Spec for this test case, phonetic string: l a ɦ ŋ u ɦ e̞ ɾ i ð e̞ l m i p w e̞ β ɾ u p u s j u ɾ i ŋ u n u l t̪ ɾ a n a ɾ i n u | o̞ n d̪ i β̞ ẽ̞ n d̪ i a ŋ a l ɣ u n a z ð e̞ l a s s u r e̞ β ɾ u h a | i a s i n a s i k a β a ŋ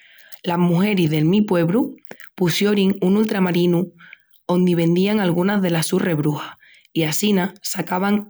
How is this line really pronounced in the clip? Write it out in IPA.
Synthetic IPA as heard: l a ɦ m u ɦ e̞ ɾ i ð e̞ l m i p w e̞ β ɾ u p u s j o ɾ i ŋ u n u l t̪ ɾ a m a ɾ i n u | o̞ n d̪ i β̞ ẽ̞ n d̪ i a ŋ a l ɣ u n a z ð e̞ l a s s u r e̞ β ɾ u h a | i a s i n a s a k a β a ŋ